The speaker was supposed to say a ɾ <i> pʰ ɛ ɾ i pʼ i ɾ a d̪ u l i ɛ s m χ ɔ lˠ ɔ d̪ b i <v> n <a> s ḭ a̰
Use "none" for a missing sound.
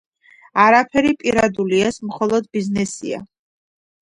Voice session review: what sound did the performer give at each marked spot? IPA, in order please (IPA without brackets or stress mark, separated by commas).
a, z, ɛ